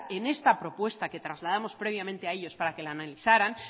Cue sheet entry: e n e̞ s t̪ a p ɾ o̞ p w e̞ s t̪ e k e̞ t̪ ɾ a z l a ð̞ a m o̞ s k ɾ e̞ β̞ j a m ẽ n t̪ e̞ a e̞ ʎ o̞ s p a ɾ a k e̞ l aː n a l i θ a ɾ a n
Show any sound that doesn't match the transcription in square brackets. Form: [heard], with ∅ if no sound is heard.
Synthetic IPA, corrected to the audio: e n e̞ s t̪ a p ɾ o̞ p w e̞ s t̪ [a] k e̞ t̪ ɾ a z l a ð̞ a m o̞ s [p] ɾ e̞ β̞ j a m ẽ n t̪ e̞ a e̞ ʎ o̞ s p a ɾ a k e̞ l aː n a l i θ a ɾ a n